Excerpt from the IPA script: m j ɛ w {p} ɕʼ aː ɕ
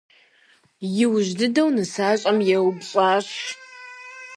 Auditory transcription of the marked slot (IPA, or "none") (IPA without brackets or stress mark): b